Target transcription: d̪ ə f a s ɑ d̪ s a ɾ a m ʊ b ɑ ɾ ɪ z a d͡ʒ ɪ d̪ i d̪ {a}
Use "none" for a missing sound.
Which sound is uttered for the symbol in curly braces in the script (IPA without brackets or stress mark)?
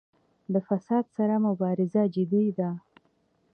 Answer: a